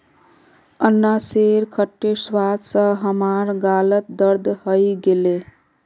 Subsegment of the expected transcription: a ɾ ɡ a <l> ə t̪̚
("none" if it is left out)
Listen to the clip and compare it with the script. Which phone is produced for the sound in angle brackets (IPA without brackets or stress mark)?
l